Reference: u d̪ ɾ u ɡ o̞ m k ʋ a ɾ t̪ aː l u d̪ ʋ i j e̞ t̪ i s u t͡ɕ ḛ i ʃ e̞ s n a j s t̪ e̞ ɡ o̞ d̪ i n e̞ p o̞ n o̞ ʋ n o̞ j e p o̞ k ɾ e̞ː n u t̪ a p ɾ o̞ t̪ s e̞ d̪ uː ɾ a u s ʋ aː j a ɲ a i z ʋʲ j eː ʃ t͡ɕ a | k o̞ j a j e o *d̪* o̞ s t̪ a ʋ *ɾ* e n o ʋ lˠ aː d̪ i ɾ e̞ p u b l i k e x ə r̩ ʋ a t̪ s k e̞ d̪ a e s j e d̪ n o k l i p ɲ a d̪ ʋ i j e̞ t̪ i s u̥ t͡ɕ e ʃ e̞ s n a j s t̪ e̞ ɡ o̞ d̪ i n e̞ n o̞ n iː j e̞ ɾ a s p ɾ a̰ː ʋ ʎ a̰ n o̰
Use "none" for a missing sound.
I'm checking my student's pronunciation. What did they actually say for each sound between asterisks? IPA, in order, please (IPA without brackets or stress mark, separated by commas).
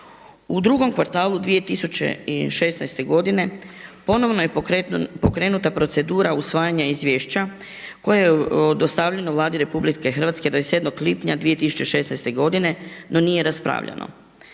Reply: d̪, ʎ